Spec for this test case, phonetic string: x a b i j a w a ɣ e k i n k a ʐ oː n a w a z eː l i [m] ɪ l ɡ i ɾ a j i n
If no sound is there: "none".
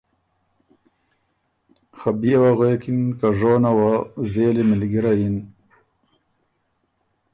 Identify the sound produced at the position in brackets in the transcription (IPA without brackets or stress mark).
m